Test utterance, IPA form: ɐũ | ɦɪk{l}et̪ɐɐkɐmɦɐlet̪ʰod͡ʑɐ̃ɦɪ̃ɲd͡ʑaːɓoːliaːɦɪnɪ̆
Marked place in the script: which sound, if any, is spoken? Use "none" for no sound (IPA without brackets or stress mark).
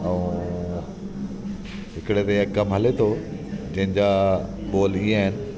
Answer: ɽ